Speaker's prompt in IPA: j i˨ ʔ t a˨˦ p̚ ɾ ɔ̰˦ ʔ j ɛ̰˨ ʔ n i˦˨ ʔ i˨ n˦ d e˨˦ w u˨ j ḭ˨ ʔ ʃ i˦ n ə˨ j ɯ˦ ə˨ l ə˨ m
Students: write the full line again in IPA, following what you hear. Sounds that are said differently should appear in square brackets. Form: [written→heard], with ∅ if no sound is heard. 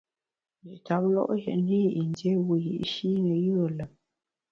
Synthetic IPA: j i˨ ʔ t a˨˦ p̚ [ɾ→l] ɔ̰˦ ʔ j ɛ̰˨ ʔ n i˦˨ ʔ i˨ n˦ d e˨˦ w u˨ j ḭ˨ ʔ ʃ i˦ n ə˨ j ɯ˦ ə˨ l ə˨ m

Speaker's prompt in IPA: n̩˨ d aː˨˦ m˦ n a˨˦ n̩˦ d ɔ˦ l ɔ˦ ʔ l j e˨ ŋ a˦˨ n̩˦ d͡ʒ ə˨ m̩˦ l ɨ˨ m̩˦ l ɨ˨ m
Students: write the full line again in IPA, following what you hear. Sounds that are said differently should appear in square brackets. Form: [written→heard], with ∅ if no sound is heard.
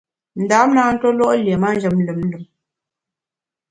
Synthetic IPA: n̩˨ d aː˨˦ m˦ n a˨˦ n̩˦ [d→t] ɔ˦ l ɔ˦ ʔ l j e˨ [ŋ→m] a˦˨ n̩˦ d͡ʒ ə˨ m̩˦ l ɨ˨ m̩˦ l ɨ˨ m

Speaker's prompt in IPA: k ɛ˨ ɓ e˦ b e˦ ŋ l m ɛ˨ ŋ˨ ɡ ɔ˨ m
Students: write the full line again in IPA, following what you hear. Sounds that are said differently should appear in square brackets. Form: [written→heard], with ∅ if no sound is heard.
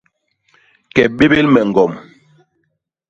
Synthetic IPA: k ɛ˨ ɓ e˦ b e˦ [ŋ→∅] l m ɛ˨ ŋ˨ ɡ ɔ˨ m

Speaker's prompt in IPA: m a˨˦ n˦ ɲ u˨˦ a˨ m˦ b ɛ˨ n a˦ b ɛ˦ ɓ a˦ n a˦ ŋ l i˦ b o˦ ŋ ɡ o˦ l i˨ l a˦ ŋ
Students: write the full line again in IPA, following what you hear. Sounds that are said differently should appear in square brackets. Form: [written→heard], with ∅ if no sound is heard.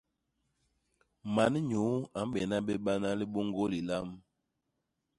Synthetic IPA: m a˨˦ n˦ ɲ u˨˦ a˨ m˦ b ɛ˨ n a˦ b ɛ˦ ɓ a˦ n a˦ [ŋ→∅] l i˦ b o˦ ŋ ɡ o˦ l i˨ l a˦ [ŋ→m]

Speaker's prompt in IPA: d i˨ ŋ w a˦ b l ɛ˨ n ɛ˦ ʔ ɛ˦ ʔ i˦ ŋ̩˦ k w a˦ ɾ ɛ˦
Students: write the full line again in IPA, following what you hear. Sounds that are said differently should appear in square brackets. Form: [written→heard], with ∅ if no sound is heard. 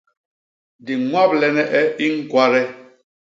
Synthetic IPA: d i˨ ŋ w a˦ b l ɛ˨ n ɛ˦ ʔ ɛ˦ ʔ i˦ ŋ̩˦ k w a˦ ɾ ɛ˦

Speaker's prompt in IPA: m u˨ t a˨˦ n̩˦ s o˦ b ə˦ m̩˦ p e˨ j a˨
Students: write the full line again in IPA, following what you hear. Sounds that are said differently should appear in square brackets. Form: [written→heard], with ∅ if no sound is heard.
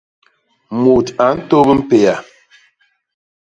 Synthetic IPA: m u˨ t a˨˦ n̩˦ [s→t] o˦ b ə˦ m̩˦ p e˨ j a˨

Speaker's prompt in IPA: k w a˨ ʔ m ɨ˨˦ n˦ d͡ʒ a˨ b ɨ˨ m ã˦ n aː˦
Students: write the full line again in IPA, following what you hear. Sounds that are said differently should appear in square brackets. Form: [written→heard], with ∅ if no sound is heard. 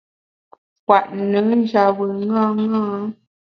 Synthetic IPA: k w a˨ ʔ [m→n] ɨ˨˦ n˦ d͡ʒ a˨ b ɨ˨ [m→ŋ] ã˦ [n→ŋ] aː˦

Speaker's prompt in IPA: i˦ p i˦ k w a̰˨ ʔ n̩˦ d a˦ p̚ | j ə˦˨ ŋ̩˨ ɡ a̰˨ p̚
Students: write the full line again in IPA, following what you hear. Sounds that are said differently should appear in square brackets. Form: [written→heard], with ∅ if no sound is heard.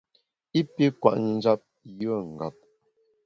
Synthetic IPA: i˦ p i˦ k w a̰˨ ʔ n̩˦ [d→d͡ʒ] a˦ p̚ | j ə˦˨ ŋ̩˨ ɡ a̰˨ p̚

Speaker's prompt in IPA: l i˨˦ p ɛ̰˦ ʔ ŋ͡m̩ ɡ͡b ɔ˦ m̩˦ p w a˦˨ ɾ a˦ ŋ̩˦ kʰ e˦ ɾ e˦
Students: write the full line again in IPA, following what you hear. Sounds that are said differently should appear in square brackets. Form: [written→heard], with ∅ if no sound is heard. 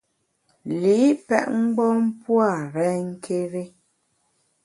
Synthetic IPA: l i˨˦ p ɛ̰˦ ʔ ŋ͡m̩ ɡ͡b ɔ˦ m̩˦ p w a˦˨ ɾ [a˦→ɛ˦] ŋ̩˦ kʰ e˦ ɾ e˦

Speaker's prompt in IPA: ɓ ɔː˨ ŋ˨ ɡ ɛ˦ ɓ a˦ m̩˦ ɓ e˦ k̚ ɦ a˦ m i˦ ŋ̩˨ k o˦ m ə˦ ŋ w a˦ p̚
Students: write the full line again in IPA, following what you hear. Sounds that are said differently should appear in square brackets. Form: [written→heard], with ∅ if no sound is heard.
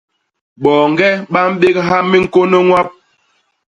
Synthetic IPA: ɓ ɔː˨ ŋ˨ ɡ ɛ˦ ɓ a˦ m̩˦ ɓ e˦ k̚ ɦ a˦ m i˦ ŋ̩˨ k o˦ [m→n] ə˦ ŋ w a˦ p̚

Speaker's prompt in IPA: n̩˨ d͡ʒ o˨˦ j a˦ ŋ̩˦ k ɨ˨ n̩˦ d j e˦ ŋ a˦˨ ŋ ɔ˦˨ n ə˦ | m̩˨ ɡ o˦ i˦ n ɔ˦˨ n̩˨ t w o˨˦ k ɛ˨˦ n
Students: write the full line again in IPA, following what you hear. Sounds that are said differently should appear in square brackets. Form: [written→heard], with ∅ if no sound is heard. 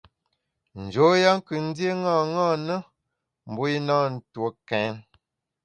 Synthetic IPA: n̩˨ d͡ʒ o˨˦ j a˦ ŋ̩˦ k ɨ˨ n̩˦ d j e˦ ŋ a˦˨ ŋ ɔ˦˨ n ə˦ | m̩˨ [ɡ→b] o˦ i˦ n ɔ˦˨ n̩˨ t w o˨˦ k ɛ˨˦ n

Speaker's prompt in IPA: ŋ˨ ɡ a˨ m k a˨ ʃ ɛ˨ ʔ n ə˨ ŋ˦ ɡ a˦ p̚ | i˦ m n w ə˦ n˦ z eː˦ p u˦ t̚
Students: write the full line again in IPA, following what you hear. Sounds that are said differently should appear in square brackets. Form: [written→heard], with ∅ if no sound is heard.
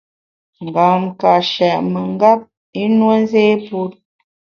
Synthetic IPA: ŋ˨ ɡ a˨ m k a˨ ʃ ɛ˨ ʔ [n→m] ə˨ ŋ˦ ɡ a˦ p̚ | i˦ [m→∅] n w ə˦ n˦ z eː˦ p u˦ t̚

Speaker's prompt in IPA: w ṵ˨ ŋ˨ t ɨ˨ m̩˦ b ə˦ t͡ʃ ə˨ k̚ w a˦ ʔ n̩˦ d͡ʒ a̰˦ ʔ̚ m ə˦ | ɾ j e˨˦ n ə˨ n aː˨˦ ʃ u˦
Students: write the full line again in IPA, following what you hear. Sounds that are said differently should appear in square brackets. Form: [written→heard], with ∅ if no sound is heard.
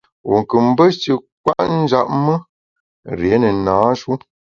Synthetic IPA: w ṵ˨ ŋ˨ [t→k] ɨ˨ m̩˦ b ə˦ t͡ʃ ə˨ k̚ w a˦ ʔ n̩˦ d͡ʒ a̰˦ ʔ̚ m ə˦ | ɾ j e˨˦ n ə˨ n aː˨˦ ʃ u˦

